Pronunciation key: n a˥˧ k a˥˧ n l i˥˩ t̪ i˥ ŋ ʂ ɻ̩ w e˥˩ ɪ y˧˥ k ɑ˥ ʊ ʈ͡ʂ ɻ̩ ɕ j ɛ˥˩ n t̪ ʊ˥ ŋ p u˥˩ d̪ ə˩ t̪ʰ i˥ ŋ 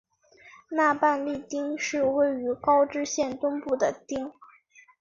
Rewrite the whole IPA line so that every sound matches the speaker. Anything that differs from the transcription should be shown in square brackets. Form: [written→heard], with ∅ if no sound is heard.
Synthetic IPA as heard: n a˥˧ [k→p] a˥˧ n l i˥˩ t̪ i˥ ŋ ʂ ɻ̩ w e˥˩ ɪ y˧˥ k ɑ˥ ʊ ʈ͡ʂ ɻ̩ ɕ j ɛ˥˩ n t̪ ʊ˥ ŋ p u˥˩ d̪ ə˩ [t̪ʰ→t̪] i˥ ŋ